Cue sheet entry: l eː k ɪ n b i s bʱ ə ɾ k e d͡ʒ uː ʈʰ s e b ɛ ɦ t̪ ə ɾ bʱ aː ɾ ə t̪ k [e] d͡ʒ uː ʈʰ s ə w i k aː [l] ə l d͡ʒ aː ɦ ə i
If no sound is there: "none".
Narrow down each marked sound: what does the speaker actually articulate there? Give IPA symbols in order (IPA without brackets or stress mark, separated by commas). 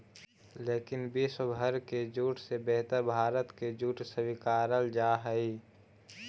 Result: e, ɾ